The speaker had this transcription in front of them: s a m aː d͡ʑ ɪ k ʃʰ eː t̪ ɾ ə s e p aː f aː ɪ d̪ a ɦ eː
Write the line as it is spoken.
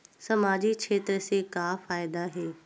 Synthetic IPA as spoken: s ɐ m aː d͡ʑ i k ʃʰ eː t̪ ɾ ə s e k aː f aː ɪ d̪ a ɦ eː